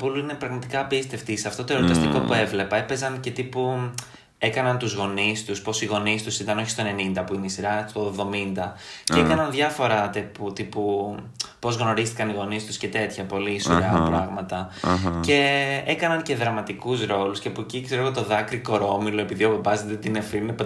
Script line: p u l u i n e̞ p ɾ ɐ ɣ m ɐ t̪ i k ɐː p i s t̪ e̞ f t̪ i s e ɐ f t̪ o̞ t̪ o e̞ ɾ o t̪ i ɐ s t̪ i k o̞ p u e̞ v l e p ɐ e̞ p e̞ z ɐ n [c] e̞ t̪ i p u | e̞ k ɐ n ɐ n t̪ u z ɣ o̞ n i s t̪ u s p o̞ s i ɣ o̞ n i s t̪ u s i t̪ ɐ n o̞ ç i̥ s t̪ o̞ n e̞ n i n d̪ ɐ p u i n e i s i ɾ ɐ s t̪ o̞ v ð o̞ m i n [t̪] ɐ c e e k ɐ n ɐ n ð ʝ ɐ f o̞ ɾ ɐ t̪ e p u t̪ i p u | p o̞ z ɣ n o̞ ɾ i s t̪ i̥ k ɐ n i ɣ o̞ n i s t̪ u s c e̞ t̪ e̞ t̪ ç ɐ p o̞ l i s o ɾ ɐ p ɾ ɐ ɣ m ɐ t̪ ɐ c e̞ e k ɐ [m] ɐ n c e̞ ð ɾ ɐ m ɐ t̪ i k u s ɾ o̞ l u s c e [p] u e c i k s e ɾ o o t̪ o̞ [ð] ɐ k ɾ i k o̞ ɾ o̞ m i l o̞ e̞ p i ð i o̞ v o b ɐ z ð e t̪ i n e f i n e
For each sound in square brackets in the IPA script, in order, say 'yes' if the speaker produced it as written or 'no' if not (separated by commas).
yes, no, no, yes, yes